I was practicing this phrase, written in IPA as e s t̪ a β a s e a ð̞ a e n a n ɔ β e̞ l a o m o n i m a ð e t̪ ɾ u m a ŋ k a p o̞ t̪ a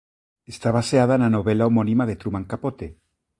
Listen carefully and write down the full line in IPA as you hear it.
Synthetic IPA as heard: e s t̪ a β a s e a ð̞ a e n a n o β e̞ l a o m o n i m a ð e t̪ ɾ u m a ŋ k a p o̞ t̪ e